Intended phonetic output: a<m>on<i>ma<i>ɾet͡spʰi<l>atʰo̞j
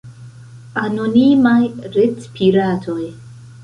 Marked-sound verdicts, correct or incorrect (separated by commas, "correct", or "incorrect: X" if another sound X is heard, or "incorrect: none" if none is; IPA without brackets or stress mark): incorrect: n, correct, incorrect: j, incorrect: ɾ